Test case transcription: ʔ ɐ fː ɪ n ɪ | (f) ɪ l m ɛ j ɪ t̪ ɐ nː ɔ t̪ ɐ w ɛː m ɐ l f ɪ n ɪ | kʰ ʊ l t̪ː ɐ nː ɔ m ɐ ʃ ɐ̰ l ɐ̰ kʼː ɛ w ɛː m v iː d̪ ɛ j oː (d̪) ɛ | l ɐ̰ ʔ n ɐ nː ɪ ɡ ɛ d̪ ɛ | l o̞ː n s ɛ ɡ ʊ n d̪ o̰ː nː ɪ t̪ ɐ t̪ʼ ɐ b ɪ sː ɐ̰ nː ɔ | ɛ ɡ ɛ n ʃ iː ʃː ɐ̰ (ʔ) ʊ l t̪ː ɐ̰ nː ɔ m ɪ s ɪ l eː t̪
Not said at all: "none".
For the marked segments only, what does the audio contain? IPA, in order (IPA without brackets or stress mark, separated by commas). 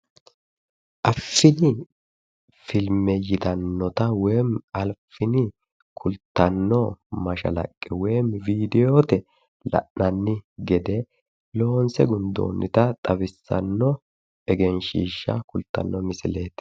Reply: f, t̪, k